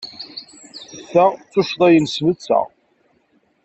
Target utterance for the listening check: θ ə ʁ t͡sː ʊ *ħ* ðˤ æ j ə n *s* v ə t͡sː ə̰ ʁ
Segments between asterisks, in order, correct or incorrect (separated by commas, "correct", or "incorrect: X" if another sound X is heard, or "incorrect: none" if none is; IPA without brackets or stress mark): incorrect: ʃ, correct